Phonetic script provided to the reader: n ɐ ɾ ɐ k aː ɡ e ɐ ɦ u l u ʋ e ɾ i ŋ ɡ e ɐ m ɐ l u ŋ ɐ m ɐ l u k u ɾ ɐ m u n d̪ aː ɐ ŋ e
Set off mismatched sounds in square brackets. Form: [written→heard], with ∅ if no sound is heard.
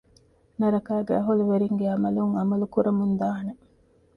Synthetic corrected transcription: n ɐ ɾ ɐ k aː ɡ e ɐ ɦ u l u ʋ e ɾ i ŋ ɡ e ɐ m ɐ l u ŋ ɐ m ɐ l u k u ɾ ɐ m u n d̪ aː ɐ [ŋ→n] e